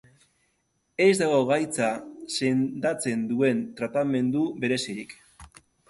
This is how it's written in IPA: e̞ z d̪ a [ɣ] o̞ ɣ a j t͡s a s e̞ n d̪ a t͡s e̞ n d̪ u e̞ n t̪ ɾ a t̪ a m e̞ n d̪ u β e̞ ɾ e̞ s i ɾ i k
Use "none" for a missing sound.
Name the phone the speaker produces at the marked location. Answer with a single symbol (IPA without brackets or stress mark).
ɣ